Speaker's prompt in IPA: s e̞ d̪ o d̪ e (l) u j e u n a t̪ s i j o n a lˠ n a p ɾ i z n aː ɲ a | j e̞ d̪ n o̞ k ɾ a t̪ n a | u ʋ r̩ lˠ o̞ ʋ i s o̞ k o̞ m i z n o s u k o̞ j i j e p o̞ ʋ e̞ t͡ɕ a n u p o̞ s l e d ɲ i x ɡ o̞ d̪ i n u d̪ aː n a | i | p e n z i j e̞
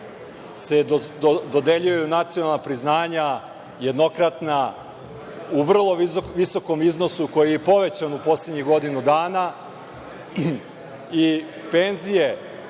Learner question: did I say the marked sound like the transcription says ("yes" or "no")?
no